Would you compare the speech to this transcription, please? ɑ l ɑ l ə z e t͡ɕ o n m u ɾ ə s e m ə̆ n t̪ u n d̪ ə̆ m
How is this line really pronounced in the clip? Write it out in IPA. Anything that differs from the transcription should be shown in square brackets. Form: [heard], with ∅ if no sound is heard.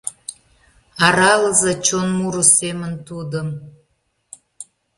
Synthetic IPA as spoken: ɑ [ɾ] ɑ l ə z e t͡ɕ o n m u ɾ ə s e m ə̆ n t̪ u [∅] d̪ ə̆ m